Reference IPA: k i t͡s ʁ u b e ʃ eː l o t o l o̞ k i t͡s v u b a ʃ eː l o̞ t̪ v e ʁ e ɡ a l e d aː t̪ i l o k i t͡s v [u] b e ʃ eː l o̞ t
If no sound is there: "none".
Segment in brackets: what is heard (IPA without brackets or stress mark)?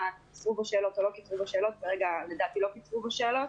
u